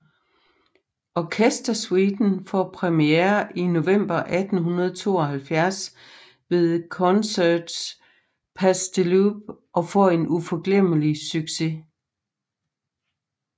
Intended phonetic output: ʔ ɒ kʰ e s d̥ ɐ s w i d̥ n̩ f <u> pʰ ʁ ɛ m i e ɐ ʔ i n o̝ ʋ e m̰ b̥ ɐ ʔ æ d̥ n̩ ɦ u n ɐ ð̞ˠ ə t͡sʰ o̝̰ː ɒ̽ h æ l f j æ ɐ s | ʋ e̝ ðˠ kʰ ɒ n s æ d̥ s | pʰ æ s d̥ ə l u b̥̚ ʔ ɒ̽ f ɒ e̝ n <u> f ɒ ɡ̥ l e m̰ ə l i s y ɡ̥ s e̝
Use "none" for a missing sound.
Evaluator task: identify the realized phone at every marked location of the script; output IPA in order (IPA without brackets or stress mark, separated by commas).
ɒ, u